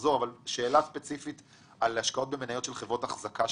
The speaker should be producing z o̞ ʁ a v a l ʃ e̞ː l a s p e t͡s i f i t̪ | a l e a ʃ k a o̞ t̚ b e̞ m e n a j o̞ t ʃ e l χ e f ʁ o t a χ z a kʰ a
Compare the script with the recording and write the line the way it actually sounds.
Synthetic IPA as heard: z o̞ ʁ a v a l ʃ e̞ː l a s p e t͡s i f i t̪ | a l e a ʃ k a o̞ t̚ b e̞ m e n a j o̞ t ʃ e l χ e v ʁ o t a χ z a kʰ a